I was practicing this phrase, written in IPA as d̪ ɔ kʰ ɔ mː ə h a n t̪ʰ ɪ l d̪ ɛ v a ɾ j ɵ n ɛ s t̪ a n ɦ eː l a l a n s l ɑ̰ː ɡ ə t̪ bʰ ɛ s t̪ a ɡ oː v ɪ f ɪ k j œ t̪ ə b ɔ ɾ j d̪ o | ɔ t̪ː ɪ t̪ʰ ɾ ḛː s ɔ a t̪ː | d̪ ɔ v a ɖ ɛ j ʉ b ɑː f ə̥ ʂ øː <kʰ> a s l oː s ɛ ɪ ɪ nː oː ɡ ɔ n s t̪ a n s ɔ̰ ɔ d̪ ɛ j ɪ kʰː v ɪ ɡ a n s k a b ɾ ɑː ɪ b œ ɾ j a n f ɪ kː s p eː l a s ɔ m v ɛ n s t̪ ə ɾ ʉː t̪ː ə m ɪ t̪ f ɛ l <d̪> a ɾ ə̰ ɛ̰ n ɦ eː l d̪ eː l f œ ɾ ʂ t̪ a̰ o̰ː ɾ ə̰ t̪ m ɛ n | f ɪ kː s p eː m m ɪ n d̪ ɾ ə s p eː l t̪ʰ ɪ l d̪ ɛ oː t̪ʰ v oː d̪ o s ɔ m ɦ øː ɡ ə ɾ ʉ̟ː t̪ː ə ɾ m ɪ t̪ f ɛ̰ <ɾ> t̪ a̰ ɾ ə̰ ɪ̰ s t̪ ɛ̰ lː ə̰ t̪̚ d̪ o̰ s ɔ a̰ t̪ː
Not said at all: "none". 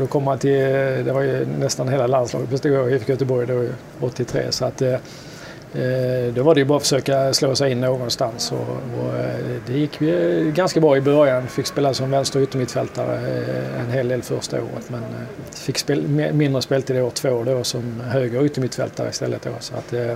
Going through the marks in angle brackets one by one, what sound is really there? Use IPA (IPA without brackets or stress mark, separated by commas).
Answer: k, t̪, l